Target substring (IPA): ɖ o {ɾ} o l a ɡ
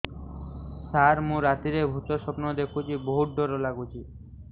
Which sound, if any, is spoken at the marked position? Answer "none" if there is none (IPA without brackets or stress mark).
ɾ